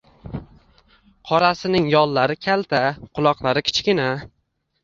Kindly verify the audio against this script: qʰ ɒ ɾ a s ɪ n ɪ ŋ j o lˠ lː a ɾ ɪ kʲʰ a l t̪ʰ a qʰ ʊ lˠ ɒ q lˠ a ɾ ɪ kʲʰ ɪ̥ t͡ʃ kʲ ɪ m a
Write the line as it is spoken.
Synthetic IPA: qʰ ɒ ɾ a s ɪ n ɪ ŋ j ɒ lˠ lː a ɾ ɪ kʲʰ a l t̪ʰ a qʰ ʊ lˠ ɒ q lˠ a ɾ ɪ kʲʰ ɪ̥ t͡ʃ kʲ ɪ n a